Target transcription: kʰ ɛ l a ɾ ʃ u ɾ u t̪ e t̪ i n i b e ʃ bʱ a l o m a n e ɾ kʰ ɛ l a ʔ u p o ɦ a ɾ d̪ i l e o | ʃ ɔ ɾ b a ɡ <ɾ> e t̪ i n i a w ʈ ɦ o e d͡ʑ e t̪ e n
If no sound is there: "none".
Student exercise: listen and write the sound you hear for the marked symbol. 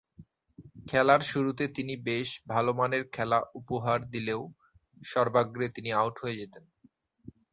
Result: ɾ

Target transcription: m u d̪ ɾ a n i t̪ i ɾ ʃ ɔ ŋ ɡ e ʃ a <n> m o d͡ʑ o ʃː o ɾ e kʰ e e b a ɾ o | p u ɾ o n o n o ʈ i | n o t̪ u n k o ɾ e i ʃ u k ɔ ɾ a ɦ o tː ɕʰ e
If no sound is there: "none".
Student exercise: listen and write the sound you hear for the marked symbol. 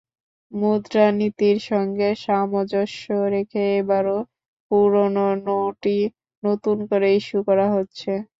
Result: none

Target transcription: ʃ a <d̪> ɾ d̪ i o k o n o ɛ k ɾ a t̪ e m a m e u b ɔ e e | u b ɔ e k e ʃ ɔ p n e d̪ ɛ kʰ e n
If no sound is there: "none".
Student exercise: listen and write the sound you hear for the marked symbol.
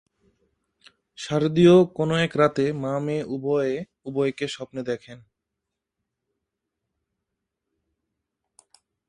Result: none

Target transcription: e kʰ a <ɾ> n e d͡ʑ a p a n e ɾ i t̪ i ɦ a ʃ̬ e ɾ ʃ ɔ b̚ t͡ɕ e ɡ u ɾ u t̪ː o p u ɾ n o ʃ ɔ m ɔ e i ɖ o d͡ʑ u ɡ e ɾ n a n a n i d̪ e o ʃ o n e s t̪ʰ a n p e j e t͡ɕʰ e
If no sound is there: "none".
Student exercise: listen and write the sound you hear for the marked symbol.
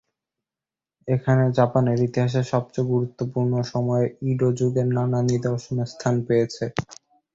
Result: none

